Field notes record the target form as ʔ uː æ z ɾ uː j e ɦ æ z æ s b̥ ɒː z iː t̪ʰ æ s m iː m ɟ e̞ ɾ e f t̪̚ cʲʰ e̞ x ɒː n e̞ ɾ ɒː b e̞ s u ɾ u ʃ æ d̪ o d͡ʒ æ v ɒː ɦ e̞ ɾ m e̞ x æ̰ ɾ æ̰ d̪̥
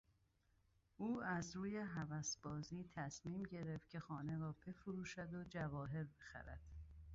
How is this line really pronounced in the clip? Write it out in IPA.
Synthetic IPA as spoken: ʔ uː æ z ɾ uː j e ɦ æ v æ s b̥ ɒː z iː t̪ʰ æ s m iː m ɟ e̞ ɾ e f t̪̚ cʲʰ e̞ x ɒː n e̞ ɾ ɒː b e̞ f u ɾ uː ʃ æ d̪ o d͡ʒ æ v ɒː ɦ e̞ ɾ b e̞ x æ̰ ɾ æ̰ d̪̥